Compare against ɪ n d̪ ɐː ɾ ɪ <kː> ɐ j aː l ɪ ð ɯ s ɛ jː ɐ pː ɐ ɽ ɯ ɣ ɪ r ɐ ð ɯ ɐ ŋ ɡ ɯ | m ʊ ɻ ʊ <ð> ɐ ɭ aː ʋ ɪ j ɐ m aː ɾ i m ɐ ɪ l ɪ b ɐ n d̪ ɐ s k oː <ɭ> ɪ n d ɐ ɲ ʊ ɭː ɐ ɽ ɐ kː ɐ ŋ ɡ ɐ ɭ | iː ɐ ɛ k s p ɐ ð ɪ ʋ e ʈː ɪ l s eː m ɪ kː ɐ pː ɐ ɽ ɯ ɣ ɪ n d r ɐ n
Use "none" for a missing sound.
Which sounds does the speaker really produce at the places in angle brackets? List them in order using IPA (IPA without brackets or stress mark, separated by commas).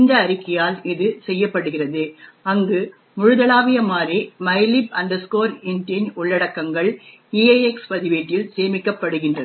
kː, ð, ɾ